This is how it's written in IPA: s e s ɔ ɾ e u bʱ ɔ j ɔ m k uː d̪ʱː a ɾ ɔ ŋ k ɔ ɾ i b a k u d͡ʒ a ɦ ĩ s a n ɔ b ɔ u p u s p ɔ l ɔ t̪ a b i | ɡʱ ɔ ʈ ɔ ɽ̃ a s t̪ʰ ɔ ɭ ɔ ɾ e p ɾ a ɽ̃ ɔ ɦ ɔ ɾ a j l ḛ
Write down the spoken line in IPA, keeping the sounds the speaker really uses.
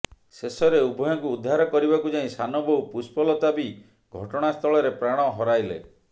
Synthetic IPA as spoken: s e s ɔ ɾ e u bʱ ɔ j ɔ ŋ k uː d̪ʱː a ɾ ɔ k ɔ ɾ i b a k u d͡ʒ a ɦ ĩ s a n ɔ b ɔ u p u s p ɔ l ɔ t̪ a b i | ɡʱ ɔ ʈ ɔ ɽ̃ a s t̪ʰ ɔ ɭ ɔ ɾ e p ɾ a ɽ̃ ɔ ɦ ɔ ɾ a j l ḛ